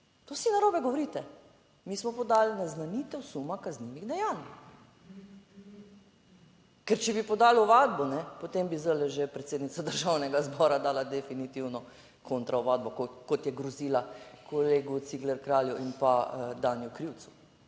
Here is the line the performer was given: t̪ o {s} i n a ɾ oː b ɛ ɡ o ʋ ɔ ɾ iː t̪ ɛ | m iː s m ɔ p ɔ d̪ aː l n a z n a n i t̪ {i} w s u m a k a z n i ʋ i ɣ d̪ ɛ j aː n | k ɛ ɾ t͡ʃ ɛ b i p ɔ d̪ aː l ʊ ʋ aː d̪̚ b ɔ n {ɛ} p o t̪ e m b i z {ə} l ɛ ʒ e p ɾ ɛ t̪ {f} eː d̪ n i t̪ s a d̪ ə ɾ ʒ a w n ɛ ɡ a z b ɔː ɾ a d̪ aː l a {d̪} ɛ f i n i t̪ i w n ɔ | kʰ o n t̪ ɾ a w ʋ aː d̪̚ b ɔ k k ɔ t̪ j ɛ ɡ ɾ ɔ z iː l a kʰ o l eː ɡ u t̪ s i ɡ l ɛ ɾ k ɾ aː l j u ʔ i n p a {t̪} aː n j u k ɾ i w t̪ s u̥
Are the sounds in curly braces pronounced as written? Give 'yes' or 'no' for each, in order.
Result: yes, no, yes, yes, no, yes, no

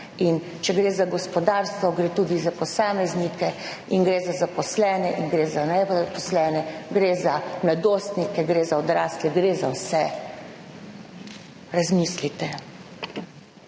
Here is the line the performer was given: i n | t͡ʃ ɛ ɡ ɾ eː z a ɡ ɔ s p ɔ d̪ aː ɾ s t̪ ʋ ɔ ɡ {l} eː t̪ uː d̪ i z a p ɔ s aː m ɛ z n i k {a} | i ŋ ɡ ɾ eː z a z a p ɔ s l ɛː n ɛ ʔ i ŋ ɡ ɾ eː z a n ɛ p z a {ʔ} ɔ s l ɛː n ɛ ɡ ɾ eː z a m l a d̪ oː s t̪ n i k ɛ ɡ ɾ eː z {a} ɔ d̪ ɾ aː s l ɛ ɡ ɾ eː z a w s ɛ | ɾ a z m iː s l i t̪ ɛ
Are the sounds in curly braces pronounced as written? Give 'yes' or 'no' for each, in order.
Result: no, no, no, yes

